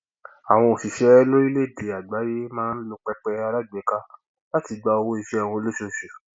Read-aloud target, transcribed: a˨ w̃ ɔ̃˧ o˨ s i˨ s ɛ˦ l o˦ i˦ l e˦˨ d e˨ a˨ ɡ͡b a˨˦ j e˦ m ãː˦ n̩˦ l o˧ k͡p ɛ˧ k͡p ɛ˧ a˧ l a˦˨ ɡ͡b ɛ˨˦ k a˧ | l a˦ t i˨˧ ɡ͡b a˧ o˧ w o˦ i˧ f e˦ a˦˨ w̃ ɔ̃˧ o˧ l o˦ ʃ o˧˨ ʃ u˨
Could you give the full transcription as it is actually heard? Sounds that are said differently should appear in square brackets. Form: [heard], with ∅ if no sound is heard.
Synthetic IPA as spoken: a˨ w̃ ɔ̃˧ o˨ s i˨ [ʃ] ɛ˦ l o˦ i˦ l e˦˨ d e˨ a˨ ɡ͡b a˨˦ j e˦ m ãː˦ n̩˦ l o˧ k͡p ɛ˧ k͡p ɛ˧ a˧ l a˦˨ ɡ͡b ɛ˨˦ k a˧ | l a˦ t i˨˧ ɡ͡b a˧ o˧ w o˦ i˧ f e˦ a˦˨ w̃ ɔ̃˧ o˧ l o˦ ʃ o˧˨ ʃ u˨